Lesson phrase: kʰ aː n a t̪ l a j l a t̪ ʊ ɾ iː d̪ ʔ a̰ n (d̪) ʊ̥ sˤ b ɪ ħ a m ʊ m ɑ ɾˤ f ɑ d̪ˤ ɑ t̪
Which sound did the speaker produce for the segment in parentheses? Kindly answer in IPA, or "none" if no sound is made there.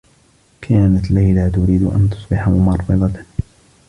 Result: t̪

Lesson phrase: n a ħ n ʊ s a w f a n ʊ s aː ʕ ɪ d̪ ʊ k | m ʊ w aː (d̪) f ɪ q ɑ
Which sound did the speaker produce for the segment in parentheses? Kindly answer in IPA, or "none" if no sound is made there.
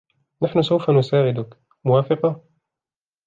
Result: none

